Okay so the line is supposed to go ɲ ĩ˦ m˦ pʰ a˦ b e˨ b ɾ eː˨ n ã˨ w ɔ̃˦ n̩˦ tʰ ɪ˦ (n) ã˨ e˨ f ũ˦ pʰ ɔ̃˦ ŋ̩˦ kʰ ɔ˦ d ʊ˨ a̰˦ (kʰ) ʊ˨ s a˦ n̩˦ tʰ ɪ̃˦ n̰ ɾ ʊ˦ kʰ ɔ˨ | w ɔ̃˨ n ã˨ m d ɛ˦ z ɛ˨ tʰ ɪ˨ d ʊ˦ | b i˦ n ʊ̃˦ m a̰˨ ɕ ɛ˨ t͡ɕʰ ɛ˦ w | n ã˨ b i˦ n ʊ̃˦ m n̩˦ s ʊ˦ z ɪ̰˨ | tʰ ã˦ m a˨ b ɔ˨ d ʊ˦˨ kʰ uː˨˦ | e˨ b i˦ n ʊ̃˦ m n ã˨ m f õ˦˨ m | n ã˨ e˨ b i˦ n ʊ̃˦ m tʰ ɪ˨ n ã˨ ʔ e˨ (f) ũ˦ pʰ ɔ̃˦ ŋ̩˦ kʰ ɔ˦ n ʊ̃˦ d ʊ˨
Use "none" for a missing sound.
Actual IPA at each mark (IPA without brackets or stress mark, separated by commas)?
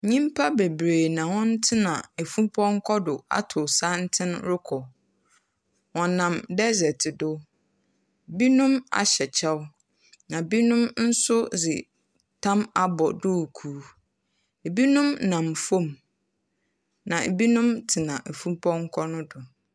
n, tʰ, f